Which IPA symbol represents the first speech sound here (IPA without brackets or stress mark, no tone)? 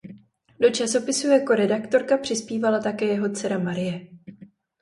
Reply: d